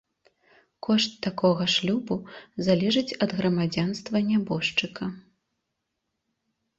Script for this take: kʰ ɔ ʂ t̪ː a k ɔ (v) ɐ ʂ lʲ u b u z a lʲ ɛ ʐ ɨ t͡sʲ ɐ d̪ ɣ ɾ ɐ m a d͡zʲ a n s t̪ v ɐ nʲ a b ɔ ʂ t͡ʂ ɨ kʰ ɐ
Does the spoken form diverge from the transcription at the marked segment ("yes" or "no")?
yes